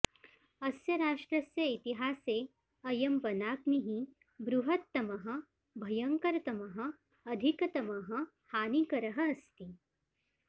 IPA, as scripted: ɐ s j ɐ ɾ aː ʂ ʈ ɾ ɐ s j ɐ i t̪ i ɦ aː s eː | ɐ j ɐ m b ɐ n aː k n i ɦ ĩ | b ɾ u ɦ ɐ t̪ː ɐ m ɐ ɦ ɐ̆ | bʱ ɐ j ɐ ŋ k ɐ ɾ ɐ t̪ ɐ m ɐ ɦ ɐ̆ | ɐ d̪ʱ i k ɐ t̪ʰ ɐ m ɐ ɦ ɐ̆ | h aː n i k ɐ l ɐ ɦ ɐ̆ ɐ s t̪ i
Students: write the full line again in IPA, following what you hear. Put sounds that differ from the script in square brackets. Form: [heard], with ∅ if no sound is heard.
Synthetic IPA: ɐ s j ɐ ɾ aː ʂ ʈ ɾ ɐ s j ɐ i t̪ i ɦ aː s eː | ɐ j ɐ m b ɐ n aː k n i ɦ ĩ | b ɾ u ɦ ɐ t̪ː ɐ m ɐ ɦ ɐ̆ | bʱ ɐ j ɐ ŋ k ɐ ɾ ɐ t̪ ɐ m ɐ ɦ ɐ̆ | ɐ d̪ʱ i k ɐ [t̪] ɐ m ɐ ɦ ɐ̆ | h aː n i k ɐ [ɾ] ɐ ɦ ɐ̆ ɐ s t̪ i